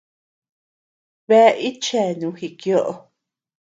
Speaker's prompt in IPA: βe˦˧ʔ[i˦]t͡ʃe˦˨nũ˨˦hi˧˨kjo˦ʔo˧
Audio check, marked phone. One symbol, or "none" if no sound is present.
i˦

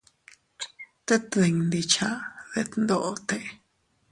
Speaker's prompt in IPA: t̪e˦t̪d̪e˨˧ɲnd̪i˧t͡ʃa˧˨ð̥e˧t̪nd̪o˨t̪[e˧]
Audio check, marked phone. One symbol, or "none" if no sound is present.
e˧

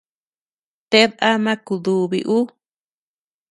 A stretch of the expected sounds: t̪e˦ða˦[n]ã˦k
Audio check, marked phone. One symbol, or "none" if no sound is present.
m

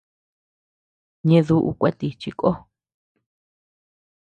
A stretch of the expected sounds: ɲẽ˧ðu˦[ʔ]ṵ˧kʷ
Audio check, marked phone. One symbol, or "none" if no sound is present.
ʔ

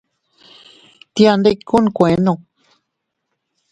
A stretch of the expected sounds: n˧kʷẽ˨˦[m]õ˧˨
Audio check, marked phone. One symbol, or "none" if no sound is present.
n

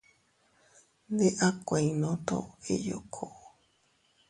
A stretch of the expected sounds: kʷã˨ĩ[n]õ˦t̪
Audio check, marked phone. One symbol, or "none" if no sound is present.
n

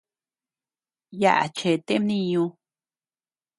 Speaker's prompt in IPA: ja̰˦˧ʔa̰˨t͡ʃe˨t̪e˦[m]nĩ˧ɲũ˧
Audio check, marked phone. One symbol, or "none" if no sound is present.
m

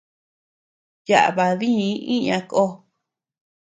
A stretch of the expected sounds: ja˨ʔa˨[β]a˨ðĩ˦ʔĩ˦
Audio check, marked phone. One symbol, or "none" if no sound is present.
β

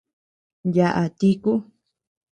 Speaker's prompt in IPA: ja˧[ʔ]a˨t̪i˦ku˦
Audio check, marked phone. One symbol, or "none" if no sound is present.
ʔ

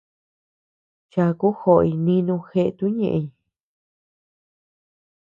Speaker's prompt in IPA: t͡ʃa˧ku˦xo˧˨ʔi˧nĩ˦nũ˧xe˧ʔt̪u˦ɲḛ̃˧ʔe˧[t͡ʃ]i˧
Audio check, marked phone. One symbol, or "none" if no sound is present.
none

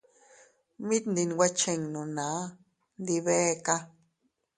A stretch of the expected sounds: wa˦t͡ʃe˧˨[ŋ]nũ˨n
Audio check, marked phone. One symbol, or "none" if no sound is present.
ŋ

